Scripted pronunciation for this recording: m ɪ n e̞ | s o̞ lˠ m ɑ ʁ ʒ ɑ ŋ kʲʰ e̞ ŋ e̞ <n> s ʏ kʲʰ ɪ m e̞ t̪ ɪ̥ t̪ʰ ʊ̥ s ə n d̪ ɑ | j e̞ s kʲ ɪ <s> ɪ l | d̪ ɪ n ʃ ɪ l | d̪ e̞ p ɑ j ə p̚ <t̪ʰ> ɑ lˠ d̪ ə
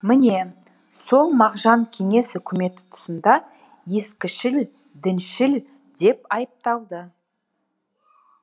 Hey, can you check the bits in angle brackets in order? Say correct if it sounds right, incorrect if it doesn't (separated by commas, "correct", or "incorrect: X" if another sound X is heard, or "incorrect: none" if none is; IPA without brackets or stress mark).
incorrect: none, incorrect: ʃ, incorrect: t̪